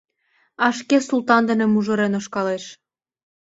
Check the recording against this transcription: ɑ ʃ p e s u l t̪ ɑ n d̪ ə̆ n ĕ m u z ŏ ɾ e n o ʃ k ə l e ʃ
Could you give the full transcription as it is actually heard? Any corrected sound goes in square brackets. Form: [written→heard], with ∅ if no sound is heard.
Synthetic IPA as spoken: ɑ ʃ [p→k] e s u l t̪ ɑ n d̪ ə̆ n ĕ m u [z→ʒ] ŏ ɾ e n o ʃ k [ə→ɑ] l e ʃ